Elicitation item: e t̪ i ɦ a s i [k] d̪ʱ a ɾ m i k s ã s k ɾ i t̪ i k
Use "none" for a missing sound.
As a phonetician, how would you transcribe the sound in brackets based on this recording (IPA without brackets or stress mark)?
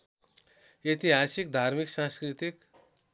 k